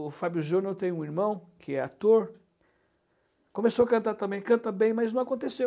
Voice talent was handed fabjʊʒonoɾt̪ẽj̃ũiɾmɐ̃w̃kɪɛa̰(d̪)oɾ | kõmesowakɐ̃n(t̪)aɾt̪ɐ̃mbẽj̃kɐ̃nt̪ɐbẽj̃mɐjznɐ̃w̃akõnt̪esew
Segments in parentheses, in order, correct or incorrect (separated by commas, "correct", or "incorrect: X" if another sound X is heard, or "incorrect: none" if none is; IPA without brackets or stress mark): incorrect: t̪, correct